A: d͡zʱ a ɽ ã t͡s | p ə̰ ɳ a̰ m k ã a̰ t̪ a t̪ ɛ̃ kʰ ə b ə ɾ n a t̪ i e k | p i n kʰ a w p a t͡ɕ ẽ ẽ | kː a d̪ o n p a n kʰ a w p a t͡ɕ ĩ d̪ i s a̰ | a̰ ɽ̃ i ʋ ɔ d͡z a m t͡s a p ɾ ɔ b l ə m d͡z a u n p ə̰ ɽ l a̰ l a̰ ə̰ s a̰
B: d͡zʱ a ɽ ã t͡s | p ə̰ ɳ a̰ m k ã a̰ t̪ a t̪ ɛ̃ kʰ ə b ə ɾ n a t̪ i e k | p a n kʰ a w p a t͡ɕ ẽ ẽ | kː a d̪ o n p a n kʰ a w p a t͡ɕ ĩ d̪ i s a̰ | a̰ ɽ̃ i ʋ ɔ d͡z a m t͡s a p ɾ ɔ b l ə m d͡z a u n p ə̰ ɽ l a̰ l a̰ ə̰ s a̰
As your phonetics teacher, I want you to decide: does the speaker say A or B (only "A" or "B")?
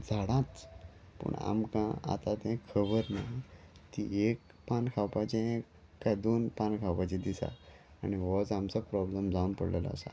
B